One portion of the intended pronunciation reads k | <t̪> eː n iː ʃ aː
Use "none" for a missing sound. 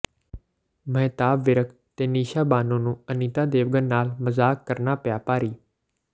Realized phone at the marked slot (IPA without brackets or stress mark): t̪